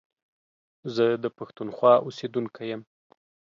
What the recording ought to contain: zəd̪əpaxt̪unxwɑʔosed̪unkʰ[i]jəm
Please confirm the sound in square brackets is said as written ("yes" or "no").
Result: no